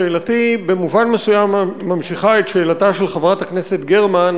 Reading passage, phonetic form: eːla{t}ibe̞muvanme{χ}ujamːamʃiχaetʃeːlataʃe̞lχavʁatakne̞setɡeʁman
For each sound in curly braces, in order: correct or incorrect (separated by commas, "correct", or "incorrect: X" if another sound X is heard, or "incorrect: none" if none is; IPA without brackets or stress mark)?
correct, incorrect: s